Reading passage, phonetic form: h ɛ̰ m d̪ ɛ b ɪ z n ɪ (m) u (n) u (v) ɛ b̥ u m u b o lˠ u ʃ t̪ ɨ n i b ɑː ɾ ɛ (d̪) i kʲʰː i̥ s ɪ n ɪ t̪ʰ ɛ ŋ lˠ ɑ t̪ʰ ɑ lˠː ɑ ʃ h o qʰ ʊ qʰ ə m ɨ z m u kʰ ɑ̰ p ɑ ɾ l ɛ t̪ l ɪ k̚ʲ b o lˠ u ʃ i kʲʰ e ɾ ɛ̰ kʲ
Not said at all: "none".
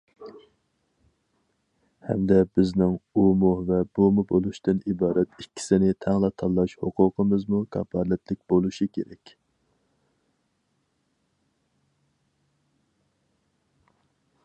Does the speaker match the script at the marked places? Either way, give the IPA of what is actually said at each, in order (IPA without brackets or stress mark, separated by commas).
ŋ, m, v, t̪